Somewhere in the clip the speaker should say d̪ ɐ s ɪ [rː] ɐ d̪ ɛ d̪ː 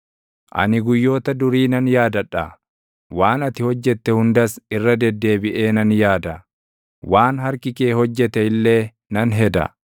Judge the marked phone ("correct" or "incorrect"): correct